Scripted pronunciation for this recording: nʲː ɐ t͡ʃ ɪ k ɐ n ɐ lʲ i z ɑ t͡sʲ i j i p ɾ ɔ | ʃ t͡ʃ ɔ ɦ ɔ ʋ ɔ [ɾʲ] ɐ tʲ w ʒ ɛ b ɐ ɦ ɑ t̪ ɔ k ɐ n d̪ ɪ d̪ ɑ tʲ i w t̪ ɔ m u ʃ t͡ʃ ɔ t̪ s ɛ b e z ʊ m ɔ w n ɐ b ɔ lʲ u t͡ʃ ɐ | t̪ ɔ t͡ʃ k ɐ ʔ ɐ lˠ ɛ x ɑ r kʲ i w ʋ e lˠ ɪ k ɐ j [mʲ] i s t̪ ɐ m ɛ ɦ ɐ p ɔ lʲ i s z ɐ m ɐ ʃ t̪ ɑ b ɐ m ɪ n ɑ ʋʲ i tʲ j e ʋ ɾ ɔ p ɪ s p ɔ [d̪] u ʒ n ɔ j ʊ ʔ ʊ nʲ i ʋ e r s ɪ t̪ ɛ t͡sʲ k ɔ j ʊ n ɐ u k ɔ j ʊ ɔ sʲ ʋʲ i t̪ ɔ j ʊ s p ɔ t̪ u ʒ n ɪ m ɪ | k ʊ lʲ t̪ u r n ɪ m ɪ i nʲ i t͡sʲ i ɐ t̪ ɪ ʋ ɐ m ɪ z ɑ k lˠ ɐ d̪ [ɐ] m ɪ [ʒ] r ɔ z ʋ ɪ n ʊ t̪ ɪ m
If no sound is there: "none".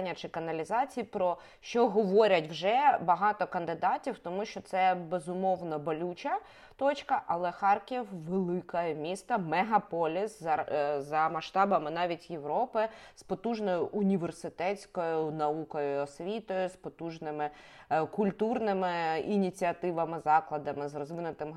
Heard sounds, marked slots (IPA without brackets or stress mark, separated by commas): ɾʲ, mʲ, t̪, ɐ, z